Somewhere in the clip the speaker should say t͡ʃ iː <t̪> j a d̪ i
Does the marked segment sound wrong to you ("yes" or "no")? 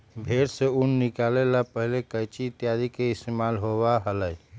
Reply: no